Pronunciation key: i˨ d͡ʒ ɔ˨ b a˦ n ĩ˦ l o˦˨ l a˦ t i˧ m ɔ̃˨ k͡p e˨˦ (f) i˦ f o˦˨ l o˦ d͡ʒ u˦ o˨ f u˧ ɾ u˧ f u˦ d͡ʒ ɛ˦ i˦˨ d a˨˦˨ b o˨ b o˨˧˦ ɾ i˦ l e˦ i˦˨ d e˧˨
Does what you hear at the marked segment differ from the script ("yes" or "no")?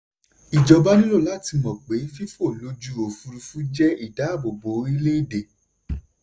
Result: no